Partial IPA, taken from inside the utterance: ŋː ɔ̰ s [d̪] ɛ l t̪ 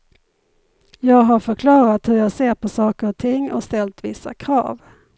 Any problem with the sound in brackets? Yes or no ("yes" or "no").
yes